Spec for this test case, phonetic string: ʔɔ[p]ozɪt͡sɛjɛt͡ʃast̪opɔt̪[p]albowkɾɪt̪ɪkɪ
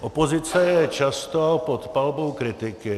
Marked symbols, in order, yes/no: yes, yes

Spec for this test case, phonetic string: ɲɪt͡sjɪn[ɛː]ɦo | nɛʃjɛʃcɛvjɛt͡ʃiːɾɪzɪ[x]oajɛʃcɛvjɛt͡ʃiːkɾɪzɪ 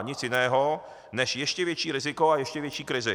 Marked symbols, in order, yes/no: yes, no

